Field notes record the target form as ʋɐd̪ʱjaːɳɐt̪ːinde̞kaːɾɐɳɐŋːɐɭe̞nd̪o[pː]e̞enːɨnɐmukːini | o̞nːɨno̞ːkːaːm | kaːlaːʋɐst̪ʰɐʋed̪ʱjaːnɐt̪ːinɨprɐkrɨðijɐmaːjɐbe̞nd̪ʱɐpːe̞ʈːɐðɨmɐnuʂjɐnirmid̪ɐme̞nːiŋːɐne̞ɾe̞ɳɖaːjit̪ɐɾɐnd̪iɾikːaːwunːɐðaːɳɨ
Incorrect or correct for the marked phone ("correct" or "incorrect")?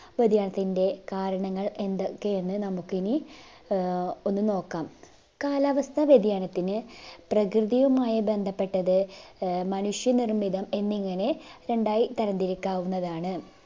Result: incorrect